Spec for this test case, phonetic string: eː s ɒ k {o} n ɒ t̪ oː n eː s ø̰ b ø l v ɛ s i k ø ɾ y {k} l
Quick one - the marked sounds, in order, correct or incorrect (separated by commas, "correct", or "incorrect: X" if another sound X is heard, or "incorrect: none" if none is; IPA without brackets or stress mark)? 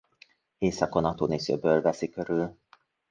correct, incorrect: none